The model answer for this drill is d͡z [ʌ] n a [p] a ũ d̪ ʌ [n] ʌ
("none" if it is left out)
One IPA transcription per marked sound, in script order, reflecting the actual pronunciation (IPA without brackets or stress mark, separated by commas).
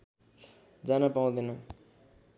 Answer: a, p, n